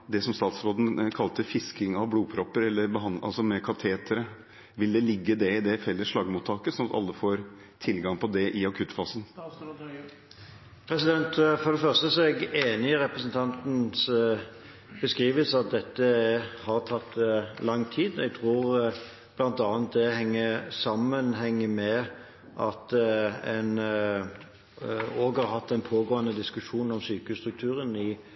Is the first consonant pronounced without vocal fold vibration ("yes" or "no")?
no